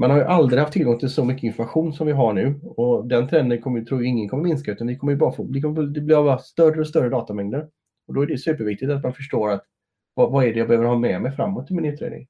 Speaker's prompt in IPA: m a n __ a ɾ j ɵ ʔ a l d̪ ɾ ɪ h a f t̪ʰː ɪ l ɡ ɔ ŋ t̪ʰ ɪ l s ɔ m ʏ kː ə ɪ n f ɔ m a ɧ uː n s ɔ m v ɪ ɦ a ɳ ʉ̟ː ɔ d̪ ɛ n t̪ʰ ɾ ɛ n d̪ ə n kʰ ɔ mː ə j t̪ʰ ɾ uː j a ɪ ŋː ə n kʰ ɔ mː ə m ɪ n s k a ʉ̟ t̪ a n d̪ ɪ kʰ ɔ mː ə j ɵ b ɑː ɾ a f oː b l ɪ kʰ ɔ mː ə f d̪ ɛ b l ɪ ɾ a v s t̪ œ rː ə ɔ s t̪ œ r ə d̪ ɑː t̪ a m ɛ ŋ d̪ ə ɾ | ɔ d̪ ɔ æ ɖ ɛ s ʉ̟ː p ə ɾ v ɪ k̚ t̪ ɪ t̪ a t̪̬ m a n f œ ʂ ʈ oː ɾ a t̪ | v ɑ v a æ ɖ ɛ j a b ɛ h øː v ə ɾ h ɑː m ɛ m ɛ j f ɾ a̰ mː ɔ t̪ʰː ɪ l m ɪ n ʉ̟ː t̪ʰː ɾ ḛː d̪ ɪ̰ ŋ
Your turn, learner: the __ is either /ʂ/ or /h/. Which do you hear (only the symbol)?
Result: h